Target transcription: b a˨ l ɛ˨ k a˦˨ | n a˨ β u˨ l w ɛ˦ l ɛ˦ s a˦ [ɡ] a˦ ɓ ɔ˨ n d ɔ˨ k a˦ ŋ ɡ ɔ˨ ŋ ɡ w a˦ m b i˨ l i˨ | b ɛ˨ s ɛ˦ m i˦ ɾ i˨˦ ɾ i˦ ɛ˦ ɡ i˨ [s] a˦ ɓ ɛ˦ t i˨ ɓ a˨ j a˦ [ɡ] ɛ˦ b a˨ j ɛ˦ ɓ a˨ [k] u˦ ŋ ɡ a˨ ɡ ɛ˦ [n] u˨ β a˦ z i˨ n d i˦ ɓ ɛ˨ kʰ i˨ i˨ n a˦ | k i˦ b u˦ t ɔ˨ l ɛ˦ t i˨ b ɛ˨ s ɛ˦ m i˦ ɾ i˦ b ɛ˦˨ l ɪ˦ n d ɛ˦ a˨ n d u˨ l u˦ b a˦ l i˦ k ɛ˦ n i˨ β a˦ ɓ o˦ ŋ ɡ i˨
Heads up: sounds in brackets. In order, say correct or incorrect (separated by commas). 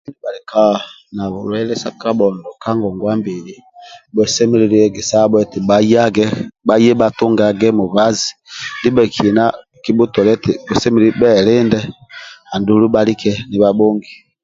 incorrect, correct, correct, incorrect, incorrect